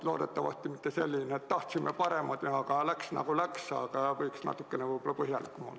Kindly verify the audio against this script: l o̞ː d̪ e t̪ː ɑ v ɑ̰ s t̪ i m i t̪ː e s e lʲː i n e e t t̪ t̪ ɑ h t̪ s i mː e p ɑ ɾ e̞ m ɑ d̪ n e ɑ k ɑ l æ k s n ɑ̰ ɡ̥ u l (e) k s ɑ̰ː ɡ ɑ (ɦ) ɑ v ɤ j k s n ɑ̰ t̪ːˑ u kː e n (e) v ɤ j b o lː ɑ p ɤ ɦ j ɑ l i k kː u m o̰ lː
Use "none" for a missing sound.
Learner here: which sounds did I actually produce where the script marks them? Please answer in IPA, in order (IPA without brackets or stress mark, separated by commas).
æ, none, e